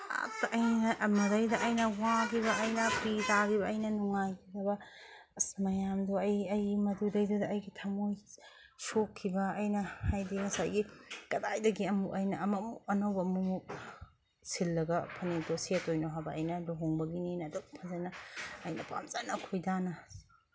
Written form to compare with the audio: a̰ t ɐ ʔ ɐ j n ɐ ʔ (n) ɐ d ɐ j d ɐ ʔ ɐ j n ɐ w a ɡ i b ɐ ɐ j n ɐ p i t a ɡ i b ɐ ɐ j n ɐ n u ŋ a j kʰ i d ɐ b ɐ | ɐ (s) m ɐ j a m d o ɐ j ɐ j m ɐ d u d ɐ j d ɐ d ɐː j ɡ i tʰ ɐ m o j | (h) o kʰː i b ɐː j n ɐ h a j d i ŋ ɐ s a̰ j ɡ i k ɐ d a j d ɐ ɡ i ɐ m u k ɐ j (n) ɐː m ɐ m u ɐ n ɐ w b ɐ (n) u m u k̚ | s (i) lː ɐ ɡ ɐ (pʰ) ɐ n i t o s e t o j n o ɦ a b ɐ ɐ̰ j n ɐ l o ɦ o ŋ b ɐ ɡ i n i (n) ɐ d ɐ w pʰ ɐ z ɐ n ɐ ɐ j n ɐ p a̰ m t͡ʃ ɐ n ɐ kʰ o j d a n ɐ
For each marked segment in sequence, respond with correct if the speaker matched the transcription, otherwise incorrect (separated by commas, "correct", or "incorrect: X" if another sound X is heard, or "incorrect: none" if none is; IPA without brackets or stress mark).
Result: incorrect: m, correct, incorrect: s, correct, incorrect: m, correct, correct, correct